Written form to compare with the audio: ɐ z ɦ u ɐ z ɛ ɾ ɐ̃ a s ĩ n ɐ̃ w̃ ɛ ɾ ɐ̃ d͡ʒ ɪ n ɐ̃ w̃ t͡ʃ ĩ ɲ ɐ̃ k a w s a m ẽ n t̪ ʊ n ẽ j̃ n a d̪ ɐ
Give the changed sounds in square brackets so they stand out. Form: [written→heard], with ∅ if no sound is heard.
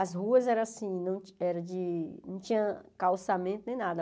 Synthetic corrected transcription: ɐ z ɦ u ɐ z ɛ ɾ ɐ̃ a s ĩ n ɐ̃ w̃ ɛ ɾ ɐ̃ d͡ʒ ɪ n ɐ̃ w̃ t͡ʃ ĩ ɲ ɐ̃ k a w s a m ẽ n t̪ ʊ n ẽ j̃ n a d̪ ɐ